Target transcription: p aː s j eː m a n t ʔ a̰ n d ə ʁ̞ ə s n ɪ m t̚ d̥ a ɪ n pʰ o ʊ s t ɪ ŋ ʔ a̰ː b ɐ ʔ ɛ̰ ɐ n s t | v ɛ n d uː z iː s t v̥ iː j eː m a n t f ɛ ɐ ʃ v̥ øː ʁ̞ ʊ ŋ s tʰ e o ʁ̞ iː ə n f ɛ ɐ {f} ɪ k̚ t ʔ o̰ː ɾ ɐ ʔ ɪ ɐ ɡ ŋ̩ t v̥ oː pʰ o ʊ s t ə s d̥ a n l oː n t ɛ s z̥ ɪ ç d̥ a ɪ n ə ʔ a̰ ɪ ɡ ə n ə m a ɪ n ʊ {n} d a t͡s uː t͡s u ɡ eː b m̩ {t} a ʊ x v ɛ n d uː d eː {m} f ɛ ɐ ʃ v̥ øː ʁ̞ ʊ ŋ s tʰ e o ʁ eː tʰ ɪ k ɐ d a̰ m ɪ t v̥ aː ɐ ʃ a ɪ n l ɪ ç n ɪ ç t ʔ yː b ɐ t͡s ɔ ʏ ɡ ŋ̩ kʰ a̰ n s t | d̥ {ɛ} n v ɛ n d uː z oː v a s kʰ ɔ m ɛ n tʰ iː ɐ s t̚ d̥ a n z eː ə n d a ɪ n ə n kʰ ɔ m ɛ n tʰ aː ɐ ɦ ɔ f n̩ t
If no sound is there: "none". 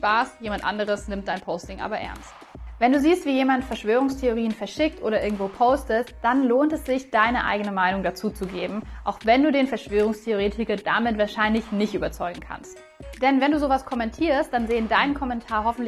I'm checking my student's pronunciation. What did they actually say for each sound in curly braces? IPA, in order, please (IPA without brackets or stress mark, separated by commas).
ʃ, ŋ, ʔ, n, ɛ